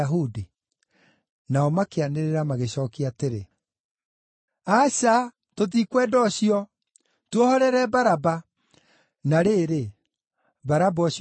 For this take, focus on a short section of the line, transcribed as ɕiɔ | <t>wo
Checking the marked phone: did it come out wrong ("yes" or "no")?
no